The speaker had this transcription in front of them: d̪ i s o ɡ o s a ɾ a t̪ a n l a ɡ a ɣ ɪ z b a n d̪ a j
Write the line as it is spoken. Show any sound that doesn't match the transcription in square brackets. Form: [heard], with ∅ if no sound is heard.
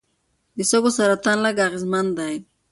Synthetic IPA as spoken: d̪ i s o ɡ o s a ɾ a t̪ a n l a ɡ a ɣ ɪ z [m] a n d̪ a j